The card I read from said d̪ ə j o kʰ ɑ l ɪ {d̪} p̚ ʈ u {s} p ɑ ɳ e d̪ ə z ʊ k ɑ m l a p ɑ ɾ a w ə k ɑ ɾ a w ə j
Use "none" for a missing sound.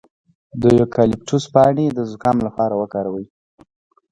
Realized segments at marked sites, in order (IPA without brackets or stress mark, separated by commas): none, s